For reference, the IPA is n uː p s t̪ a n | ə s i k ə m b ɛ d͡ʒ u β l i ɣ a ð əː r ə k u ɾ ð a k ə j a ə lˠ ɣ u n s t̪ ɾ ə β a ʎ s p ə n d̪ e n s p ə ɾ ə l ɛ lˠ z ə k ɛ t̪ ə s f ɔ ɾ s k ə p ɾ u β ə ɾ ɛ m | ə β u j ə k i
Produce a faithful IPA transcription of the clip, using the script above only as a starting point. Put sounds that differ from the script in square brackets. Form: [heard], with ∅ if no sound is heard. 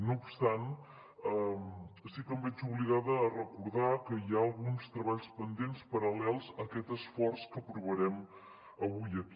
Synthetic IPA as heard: n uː p s t̪ a n | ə s i k ə m b ɛ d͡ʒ u β l i ɣ a ð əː r ə k u ɾ ð a k ə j a ə lˠ ɣ u n s t̪ ɾ ə β a ʎ s p ə n d̪ e n s p ə ɾ ə l ɛ lˠ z ə k ɛ t̪ ə s f ɔ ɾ s k ə p ɾ u β ə ɾ ɛ m | ə β u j ə k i